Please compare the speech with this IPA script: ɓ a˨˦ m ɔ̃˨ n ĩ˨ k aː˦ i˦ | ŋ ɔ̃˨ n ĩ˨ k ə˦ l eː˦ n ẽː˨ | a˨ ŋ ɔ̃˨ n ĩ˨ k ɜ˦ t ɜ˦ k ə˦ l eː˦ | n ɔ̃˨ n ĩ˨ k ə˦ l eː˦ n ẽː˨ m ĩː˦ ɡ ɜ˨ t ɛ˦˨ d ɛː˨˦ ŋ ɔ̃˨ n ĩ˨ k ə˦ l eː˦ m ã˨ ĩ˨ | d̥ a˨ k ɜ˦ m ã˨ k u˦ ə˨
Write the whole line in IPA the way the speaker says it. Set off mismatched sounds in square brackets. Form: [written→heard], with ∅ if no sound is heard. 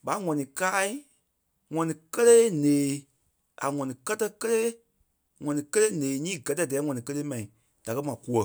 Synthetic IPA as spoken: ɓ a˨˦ [m→ŋ] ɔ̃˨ n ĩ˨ k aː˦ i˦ | ŋ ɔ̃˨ n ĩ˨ k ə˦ l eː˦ n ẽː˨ | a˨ ŋ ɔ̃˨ n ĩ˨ k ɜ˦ t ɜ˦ k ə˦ l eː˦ | [n→ŋ] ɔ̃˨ n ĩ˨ k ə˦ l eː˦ n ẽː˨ [m→ɲ] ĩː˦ ɡ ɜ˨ t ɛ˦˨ d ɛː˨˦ ŋ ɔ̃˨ n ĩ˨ k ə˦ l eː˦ m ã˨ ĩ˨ | d̥ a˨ k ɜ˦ m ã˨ k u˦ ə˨